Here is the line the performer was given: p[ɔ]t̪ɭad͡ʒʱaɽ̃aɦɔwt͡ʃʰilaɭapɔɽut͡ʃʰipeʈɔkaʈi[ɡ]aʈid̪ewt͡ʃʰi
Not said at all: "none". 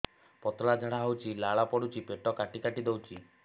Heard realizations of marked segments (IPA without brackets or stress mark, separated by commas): ɔ, k